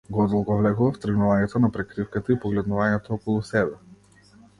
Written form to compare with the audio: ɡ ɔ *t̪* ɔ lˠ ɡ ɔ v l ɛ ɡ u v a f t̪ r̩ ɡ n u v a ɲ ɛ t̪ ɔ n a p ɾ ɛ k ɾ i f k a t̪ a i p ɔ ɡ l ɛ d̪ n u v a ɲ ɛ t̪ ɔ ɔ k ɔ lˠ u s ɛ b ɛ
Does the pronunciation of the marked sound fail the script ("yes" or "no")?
yes